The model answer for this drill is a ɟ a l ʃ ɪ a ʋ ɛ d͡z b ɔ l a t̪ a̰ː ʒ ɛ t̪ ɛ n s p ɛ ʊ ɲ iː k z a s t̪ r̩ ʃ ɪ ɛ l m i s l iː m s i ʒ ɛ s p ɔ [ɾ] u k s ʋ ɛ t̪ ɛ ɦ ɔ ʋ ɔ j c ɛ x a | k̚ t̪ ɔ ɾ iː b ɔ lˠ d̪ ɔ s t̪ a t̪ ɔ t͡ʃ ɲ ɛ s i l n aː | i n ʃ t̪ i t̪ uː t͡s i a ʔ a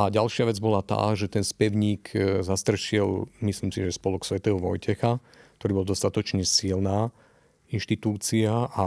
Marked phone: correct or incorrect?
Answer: incorrect